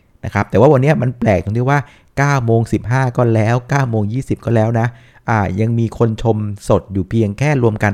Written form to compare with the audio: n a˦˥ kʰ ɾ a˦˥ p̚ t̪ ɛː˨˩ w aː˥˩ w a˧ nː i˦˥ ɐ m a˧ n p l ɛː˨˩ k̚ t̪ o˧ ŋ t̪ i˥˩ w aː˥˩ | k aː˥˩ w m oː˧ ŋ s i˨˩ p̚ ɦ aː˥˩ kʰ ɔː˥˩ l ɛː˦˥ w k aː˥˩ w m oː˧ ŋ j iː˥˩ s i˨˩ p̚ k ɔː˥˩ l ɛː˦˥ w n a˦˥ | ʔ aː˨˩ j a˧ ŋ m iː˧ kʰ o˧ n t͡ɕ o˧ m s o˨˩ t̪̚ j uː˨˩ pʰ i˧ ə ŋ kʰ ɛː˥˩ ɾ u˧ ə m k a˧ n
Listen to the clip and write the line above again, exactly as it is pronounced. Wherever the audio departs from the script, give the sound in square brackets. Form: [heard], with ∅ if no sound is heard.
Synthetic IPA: n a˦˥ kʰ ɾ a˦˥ p̚ t̪ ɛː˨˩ w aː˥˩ w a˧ nː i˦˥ ɐ m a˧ n p l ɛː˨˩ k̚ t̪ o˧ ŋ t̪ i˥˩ w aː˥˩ | k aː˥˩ w m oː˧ ŋ s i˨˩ p̚ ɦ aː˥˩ [k] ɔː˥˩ l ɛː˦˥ w k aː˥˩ w m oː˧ ŋ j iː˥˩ s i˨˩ p̚ k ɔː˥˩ l ɛː˦˥ w n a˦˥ | ʔ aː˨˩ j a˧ ŋ m iː˧ kʰ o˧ n [t͡ɕʰ] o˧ m s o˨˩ t̪̚ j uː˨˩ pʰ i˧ ə ŋ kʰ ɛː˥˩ ɾ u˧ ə m k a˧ n